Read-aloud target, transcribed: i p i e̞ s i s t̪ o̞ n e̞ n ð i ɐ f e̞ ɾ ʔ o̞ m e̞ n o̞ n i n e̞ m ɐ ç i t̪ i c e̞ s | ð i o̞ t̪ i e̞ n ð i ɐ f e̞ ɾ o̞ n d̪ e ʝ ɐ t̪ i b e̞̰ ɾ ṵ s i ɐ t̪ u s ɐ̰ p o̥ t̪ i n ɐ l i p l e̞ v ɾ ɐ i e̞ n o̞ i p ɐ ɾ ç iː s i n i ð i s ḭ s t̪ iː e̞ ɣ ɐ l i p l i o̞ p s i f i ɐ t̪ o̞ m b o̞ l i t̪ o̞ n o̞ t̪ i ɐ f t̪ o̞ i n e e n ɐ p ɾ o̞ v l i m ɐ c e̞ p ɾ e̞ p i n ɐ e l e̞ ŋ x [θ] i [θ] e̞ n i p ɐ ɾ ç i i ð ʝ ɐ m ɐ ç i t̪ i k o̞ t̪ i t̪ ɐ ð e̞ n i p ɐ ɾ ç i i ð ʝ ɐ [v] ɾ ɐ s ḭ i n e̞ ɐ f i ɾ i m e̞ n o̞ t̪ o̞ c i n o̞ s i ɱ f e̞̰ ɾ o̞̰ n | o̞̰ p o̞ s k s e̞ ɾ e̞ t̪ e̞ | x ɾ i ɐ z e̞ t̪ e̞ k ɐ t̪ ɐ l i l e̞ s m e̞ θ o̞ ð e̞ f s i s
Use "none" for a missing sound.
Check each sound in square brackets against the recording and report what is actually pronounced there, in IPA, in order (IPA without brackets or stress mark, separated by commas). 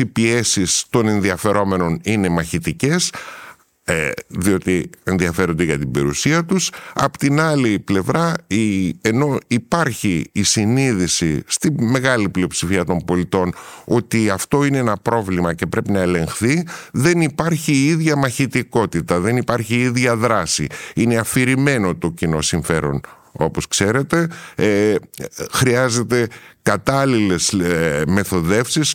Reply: θ, ð, ð